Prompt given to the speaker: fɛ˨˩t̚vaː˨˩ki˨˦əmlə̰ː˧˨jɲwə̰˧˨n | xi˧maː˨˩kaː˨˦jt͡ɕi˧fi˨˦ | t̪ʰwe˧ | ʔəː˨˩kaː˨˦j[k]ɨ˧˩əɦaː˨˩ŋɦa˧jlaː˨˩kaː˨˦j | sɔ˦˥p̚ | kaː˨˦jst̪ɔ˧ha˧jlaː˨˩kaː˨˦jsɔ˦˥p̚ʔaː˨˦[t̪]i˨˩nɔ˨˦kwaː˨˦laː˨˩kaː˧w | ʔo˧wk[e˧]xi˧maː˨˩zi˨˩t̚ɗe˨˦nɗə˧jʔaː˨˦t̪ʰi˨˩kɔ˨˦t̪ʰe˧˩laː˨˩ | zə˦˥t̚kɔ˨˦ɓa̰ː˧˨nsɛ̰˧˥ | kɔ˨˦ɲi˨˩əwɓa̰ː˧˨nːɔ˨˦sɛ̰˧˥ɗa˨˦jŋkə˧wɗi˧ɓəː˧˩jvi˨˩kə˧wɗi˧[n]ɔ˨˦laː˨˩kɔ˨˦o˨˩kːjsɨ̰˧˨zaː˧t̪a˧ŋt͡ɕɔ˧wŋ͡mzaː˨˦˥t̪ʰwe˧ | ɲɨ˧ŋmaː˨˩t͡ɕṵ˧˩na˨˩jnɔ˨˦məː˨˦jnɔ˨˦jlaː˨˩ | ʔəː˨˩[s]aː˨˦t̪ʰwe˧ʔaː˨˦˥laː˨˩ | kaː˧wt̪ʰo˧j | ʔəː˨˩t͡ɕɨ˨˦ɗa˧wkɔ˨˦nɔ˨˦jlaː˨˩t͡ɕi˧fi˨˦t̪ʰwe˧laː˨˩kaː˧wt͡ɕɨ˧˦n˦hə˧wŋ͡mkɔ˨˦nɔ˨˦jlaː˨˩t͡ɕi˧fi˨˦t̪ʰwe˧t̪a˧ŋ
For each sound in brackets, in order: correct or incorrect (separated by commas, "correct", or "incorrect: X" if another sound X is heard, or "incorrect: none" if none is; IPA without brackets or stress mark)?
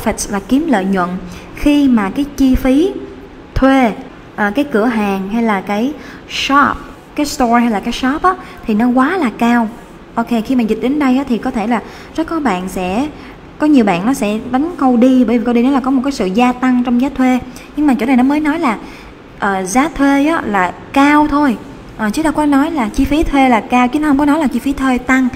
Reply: correct, incorrect: t̪ʰ, correct, correct, incorrect: z